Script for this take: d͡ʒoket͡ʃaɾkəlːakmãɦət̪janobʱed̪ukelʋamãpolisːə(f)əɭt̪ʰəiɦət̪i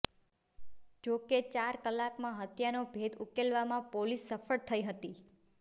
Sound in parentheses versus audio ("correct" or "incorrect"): correct